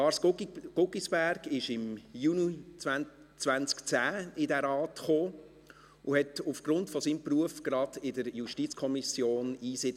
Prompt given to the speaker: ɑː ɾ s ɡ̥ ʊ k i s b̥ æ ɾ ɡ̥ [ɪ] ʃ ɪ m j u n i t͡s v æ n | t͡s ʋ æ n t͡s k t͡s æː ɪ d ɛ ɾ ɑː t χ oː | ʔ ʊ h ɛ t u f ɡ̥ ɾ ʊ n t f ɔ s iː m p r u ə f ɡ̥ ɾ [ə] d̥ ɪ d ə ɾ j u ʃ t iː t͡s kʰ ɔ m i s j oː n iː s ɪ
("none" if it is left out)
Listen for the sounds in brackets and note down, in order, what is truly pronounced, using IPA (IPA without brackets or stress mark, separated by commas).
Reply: ɪ, ɑ